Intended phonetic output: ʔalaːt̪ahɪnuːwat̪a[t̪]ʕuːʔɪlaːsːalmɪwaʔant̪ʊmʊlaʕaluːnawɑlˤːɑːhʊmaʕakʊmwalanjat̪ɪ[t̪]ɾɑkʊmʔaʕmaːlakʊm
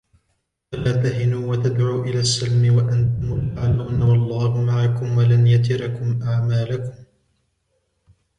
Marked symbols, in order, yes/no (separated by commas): no, no